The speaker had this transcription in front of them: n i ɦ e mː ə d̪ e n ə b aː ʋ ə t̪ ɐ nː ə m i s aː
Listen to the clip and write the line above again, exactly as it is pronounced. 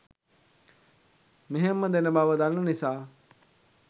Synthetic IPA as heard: m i ɦ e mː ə d̪ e n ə b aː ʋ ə d̪ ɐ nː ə n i s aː